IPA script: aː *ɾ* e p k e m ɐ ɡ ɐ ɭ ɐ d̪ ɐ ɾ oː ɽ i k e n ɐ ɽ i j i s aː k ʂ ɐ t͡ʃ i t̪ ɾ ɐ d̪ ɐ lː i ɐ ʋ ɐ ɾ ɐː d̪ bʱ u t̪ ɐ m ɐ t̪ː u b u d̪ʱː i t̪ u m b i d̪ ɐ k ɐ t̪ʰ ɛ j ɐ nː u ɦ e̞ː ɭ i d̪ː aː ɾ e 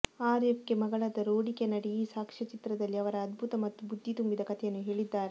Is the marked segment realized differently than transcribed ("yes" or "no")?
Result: no